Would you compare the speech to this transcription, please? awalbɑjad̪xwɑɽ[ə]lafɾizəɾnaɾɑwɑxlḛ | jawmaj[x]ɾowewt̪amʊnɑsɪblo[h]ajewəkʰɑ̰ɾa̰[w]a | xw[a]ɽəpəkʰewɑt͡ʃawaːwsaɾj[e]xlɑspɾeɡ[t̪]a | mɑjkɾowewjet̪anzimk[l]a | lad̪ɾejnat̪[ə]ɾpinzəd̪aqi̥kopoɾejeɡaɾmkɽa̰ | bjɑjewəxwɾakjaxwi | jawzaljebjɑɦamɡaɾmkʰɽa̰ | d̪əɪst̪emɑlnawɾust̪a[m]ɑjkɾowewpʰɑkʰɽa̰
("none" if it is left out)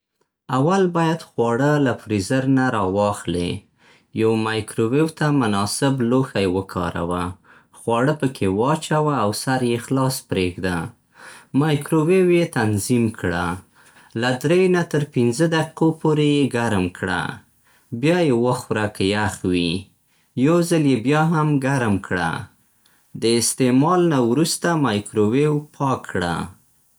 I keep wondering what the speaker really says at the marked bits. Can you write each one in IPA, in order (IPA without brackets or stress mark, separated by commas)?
ə, k, x, w, ɑ, e, d̪, ɽ, ə, m